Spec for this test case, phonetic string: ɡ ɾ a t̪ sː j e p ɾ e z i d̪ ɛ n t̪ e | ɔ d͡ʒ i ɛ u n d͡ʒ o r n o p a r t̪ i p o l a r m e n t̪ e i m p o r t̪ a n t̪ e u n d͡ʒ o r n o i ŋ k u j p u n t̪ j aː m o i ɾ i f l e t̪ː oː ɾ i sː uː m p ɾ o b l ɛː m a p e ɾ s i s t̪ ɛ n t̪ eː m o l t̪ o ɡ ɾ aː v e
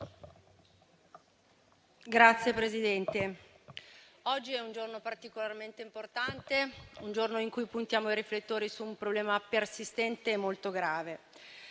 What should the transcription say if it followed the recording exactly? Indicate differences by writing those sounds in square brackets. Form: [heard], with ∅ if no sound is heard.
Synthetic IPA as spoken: ɡ ɾ a t̪ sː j e p ɾ e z i d̪ ɛ n t̪ e | ɔ [d͡ʒː] i ɛ u n d͡ʒ o r n o p a r t̪ i [k] o l a r m e n t̪ e i m p o r t̪ a n t̪ e u n d͡ʒ o r n o i ŋ k u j p u n t̪ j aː m o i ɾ i f l e t̪ː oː ɾ i [s] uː m p ɾ o b l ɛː m a p e [r] s i s t̪ ɛ n t̪ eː m o l t̪ o ɡ ɾ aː v e